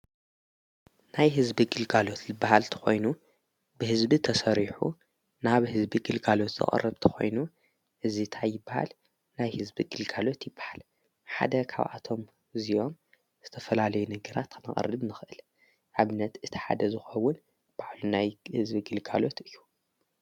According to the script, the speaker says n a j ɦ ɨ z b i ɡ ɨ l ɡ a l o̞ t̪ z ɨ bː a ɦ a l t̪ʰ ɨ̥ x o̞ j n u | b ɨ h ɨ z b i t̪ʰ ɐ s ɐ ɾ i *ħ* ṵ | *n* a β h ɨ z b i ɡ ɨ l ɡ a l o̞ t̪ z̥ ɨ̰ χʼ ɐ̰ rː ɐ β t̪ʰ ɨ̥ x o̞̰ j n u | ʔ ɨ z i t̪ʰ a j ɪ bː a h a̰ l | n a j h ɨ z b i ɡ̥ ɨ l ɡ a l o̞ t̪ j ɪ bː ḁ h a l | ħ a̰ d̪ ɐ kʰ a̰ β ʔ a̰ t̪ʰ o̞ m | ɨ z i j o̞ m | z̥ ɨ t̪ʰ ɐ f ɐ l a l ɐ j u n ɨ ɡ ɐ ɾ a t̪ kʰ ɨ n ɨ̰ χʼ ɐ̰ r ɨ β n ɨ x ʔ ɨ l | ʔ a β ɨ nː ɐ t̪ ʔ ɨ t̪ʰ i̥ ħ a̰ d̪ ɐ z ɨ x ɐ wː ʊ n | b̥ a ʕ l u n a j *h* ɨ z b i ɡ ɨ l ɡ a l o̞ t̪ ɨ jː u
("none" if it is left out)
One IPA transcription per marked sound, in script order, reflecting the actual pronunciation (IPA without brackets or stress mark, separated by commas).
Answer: ħ, n, h